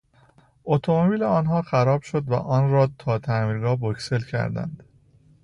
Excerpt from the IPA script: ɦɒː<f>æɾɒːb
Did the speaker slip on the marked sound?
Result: yes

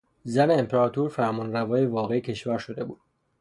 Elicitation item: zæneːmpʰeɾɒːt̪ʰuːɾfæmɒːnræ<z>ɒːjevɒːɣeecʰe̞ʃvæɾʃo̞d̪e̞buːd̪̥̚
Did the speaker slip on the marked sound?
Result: yes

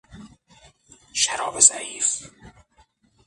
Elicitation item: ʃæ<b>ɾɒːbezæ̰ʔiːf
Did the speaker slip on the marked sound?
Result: yes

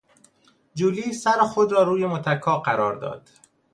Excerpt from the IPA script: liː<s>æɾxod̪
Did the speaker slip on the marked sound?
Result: no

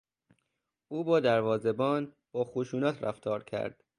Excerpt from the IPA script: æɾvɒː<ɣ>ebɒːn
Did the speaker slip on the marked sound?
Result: yes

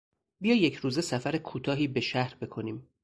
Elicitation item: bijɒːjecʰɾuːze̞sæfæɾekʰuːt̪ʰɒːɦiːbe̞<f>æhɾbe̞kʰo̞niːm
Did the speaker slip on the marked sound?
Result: yes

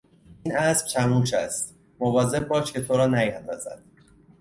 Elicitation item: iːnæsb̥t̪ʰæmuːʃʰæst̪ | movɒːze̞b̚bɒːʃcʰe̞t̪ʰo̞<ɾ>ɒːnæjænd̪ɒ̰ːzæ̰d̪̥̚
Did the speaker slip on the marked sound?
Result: no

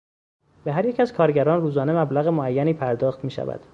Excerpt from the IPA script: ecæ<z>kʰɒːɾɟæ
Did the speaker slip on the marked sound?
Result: no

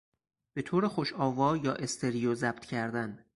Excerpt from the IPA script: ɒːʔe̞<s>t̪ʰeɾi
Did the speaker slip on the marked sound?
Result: no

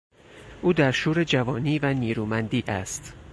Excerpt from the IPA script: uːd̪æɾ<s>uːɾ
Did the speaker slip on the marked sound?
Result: yes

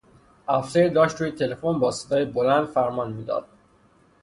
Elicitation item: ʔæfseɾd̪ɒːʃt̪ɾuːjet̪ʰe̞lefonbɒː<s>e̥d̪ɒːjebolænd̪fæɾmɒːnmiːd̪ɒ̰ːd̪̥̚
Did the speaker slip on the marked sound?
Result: no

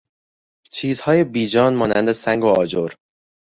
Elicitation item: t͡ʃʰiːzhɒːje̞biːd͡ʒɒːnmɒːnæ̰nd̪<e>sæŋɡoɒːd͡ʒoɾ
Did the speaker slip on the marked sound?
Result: no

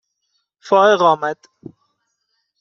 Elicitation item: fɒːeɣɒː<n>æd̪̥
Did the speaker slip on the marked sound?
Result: yes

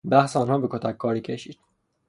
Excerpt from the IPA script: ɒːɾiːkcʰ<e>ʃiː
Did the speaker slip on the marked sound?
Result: no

